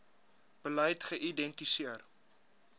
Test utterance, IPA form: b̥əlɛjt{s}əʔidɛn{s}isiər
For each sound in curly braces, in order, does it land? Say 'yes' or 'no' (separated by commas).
no, no